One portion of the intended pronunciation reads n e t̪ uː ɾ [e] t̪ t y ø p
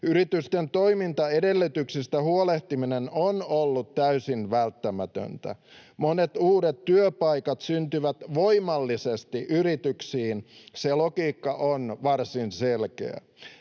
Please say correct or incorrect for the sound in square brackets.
correct